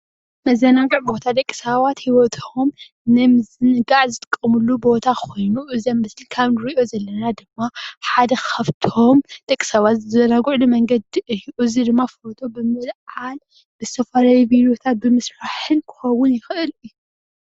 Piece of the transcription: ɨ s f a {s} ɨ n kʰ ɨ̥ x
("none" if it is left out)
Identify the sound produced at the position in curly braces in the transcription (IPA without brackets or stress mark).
ħ